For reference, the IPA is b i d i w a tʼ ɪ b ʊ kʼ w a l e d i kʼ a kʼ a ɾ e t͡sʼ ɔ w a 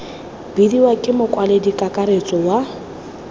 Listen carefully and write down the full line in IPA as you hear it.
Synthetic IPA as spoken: b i d i w a kʼ ɪ m ʊ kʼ w a l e d i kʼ a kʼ a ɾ e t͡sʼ ɔ w a